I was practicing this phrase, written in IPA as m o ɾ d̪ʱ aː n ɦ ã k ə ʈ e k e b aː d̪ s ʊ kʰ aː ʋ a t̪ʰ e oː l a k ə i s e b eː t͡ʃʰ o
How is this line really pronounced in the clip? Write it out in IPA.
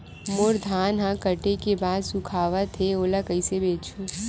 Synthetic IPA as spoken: m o ɾ d̪ʱ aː n ɦ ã k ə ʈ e k e b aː d̪ s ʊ kʰ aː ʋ a t̪ʰ e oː l a k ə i s e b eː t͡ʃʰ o